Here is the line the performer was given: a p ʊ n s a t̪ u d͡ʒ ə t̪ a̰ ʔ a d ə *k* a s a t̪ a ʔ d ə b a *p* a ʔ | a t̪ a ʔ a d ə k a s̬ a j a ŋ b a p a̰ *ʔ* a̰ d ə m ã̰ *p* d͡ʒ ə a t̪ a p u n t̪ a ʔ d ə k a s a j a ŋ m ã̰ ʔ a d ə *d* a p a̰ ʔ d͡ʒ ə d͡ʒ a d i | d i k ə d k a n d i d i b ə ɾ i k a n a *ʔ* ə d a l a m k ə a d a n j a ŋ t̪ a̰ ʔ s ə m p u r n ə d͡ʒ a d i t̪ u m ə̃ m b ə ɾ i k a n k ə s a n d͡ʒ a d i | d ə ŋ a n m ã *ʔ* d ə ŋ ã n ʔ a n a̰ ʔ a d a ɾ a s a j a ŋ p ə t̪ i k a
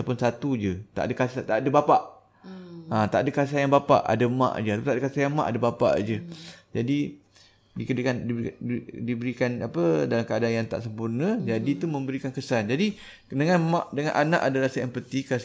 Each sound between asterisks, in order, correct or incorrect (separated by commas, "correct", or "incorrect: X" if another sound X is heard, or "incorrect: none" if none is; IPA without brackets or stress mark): correct, correct, correct, incorrect: ʔ, incorrect: b, incorrect: p, correct